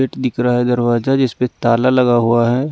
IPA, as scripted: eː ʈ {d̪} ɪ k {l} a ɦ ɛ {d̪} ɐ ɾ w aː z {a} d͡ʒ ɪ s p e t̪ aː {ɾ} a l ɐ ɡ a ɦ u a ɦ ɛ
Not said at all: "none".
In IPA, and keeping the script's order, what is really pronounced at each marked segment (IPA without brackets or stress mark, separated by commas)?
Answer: d̪, ɾ, d̪, a, l